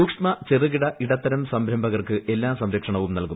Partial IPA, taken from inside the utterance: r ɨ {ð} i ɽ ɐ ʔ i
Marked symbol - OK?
no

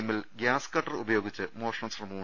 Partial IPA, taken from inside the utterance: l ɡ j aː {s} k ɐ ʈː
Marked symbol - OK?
yes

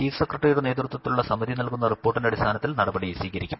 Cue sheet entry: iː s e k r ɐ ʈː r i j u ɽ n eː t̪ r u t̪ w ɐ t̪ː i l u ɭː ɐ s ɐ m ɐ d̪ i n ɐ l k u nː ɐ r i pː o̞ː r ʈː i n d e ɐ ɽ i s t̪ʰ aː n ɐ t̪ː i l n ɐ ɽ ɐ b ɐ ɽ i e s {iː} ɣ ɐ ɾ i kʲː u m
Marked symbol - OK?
yes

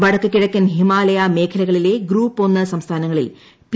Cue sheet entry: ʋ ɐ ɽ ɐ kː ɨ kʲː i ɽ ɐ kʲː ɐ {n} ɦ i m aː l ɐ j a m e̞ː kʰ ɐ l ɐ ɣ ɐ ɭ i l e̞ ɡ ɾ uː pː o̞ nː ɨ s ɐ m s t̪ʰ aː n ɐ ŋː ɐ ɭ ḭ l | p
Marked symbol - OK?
yes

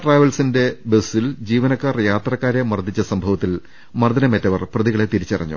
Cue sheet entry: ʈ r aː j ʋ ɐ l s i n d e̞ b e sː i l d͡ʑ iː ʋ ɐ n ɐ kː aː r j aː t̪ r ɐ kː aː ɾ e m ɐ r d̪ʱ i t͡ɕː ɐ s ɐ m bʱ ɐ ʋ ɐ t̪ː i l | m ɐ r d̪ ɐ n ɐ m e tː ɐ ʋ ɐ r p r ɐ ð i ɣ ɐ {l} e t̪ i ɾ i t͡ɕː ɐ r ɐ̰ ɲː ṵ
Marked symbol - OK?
no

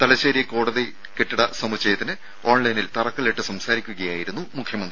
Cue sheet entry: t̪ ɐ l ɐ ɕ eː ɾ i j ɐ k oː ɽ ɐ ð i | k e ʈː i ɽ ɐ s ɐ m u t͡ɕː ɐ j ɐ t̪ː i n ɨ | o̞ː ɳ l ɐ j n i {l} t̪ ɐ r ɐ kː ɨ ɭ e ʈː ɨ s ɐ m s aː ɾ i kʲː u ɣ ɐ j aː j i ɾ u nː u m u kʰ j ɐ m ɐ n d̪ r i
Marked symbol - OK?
yes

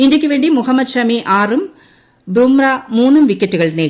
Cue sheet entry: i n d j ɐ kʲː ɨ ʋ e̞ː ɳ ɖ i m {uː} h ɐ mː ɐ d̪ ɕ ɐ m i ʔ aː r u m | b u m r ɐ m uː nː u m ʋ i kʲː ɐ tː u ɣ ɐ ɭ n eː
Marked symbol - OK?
no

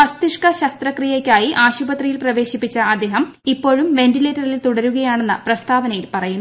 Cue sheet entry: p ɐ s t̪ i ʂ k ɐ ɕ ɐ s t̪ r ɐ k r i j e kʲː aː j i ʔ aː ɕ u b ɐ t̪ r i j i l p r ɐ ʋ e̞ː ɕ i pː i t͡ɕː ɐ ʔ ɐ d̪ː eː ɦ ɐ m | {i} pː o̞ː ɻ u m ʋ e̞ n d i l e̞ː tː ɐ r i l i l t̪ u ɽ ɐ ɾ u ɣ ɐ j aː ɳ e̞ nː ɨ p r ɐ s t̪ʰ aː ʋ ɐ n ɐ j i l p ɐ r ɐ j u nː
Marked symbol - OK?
yes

